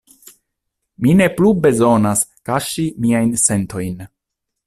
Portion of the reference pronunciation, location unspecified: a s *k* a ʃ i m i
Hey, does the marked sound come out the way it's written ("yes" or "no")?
yes